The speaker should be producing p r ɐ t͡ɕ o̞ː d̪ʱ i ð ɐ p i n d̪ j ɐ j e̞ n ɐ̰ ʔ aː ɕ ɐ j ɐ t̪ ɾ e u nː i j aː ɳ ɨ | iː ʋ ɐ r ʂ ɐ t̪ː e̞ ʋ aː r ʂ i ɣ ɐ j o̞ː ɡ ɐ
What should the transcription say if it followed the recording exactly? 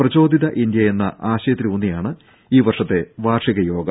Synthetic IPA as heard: p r ɐ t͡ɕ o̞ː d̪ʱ i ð ɐ ʔ i n d̪ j ɐ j e̞ nː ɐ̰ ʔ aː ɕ ɐ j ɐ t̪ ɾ i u nː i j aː ɳ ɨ | iː ʋ ɐ r ʂ ɐ t̪ː e̞ ʋ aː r ʂ i ɣ ɐ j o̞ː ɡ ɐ